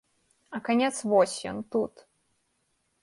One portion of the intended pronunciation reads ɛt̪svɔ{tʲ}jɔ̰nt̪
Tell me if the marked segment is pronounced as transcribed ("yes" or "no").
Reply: no